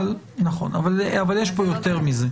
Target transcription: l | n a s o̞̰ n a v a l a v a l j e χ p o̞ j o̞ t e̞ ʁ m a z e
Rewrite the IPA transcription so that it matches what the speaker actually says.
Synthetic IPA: l | n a χ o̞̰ n a v a l a v a l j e ʃ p o̞ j o̞ t e̞ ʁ m i z e